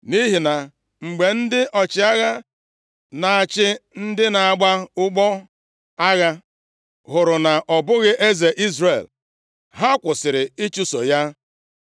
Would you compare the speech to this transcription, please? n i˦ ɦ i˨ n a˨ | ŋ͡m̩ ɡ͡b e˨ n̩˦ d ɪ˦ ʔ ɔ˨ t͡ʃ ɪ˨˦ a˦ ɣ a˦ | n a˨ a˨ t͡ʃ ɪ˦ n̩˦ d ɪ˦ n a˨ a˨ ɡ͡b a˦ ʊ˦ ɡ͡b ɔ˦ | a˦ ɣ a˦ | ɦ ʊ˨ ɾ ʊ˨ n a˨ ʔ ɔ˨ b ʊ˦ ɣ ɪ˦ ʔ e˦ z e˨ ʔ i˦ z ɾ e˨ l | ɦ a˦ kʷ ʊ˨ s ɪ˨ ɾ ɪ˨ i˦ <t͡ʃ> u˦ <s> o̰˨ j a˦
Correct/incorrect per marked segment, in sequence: correct, correct

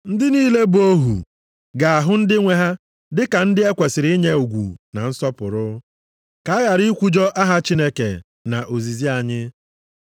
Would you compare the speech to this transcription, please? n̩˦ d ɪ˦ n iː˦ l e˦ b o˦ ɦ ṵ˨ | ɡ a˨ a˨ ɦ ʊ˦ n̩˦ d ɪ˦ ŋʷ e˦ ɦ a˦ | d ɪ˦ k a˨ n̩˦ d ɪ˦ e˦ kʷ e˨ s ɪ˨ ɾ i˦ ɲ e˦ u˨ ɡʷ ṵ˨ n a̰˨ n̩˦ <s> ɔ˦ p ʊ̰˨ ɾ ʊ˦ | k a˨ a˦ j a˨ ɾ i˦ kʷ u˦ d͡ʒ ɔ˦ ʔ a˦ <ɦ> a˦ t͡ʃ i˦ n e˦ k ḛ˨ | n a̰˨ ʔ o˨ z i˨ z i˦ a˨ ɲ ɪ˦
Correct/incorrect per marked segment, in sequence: correct, correct

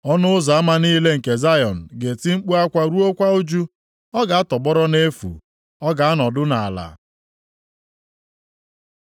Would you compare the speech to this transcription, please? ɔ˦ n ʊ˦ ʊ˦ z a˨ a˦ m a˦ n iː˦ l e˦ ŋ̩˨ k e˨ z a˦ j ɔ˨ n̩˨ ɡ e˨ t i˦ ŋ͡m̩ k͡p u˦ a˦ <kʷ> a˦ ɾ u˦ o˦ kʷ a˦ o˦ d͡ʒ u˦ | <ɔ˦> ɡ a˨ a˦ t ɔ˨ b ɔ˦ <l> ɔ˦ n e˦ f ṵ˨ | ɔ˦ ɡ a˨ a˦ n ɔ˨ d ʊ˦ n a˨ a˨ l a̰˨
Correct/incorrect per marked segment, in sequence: correct, correct, incorrect

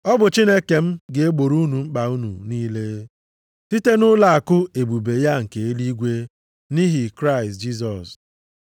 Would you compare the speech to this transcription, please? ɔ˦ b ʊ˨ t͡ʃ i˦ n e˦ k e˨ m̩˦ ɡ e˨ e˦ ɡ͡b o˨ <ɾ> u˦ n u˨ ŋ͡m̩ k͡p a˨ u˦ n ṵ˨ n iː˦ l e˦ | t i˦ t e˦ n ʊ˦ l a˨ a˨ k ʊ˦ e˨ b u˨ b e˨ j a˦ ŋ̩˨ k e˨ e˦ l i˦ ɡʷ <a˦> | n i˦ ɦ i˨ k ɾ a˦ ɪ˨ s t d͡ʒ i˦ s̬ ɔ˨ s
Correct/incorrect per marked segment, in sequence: correct, incorrect

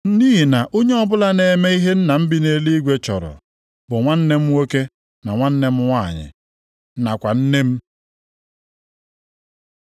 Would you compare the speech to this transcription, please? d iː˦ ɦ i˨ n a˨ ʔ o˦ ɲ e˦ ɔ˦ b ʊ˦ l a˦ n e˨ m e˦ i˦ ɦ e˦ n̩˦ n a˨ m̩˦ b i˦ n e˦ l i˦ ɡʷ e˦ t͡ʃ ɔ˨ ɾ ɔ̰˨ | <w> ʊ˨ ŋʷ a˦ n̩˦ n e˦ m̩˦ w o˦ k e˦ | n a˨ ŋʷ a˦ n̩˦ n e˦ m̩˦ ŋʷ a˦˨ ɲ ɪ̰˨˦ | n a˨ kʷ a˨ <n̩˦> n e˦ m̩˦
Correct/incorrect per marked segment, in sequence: incorrect, correct

